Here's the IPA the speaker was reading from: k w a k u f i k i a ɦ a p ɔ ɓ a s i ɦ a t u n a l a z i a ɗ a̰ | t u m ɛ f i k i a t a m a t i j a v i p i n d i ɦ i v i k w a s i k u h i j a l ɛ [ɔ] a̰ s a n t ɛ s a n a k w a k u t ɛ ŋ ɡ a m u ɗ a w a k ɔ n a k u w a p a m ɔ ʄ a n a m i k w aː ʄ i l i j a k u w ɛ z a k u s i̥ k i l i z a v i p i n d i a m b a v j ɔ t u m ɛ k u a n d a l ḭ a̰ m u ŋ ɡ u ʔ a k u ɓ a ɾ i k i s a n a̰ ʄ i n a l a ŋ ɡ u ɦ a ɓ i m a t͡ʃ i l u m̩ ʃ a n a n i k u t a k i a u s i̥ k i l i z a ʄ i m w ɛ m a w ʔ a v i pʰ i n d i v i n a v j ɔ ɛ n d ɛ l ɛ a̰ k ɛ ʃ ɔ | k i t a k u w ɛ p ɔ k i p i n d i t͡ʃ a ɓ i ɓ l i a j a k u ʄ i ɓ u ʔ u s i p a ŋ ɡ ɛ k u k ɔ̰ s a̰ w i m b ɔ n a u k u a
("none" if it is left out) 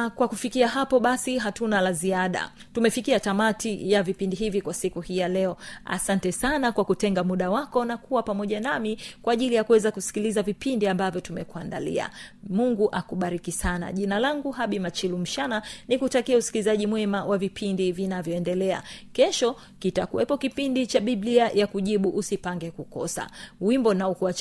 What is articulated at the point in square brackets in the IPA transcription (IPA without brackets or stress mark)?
ɔ